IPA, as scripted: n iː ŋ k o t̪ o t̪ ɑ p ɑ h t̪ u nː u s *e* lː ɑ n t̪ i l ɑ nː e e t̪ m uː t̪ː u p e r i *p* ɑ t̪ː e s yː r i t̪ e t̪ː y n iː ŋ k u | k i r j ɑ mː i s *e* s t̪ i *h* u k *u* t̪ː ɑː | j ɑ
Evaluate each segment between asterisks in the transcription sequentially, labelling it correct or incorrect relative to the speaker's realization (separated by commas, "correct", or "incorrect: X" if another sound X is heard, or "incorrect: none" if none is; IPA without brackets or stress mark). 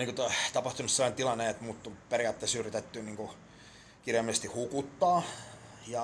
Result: correct, incorrect: none, correct, correct, correct